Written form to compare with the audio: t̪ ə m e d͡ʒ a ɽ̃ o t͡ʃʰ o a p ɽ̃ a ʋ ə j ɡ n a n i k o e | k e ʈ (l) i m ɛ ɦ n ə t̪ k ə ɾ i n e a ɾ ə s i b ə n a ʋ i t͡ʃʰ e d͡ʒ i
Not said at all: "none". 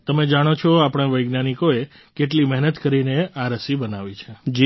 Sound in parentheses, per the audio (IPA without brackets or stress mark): l